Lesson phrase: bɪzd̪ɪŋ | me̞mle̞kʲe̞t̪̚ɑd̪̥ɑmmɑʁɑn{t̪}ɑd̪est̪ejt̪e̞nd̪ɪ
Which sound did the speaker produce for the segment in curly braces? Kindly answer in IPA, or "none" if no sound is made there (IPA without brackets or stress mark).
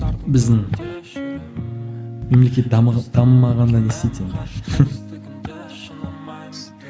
d̪